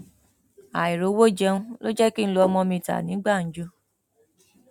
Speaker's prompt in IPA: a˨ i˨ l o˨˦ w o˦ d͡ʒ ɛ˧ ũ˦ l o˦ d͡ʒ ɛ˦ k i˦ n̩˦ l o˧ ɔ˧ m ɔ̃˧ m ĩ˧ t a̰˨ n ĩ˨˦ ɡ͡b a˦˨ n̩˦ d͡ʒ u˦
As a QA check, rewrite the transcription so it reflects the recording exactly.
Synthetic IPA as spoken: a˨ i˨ ɾ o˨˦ w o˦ d͡ʒ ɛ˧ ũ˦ l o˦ d͡ʒ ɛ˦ k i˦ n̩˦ l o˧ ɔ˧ m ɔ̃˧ m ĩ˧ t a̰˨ n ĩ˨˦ ɡ͡b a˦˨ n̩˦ d͡ʒ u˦

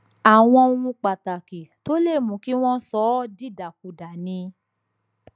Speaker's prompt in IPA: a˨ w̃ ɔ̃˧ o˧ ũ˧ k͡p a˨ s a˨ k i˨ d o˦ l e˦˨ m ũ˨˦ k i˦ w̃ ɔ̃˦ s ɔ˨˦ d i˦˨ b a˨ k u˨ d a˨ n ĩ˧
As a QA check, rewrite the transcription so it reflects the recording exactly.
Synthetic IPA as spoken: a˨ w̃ ɔ̃˧ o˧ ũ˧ k͡p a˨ t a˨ k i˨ t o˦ l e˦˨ m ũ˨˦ k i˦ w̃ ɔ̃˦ s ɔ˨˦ d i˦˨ d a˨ k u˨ d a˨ n ĩ˧

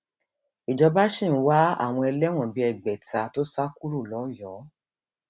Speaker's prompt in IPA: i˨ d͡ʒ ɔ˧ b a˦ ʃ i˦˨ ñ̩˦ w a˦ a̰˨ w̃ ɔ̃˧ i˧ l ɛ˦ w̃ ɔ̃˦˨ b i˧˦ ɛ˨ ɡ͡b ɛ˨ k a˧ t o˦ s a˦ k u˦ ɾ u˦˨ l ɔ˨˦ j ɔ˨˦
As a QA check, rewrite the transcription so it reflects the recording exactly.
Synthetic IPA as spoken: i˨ d͡ʒ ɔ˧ b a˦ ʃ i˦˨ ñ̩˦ w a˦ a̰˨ w̃ ɔ̃˧ ɛ˧ l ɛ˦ w̃ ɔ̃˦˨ b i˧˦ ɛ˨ ɡ͡b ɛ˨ t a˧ t o˦ s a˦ k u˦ ɾ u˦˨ l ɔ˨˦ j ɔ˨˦

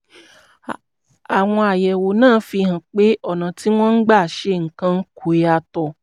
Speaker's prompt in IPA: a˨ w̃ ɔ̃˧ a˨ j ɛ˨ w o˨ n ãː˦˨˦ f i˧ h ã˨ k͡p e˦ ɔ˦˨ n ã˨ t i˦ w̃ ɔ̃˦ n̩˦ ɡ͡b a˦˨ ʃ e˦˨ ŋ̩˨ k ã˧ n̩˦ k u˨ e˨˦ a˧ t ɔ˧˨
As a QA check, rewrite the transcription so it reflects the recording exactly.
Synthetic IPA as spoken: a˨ w̃ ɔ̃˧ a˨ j ɛ˨ w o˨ n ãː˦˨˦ f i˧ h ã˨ k͡p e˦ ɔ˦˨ n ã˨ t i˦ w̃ ɔ̃˦ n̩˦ ɡ͡b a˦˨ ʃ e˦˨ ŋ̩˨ k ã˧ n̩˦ k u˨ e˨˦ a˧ t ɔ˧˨

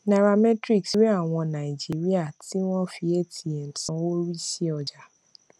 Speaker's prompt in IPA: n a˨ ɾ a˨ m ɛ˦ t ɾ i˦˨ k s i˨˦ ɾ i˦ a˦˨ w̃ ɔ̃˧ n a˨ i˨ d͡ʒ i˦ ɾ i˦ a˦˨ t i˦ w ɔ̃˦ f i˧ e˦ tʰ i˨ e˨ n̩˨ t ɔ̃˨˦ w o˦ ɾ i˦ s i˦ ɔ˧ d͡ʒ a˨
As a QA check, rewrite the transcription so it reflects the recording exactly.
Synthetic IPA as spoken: n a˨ ɾ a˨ m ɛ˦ t ɾ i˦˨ k s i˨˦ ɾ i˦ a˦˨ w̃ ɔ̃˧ n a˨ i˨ d͡ʒ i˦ ɾ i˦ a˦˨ t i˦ w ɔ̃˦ f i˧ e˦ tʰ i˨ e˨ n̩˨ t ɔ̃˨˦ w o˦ ɾ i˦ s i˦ ɔ˧ d͡ʒ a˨

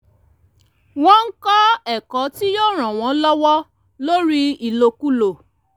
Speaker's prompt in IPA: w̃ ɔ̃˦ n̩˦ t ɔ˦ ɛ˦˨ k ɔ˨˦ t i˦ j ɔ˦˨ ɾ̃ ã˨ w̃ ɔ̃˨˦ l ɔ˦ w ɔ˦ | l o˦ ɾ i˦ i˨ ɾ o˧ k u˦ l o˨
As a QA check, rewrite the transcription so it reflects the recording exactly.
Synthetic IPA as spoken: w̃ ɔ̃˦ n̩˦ k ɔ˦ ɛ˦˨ k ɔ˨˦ t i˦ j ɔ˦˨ ɾ̃ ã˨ w̃ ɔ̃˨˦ l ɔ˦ w ɔ˦ | l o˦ ɾ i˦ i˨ l o˧ k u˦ l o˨

